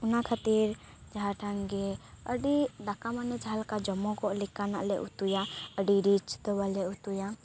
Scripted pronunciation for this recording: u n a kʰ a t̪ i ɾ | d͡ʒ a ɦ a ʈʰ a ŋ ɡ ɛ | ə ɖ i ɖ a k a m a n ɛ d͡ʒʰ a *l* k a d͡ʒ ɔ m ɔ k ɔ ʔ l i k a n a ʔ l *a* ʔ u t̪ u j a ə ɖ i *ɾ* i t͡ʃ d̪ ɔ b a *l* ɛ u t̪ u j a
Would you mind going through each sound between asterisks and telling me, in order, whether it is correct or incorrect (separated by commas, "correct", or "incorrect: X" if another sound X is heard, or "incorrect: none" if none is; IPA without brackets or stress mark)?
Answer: correct, incorrect: ɛ, correct, correct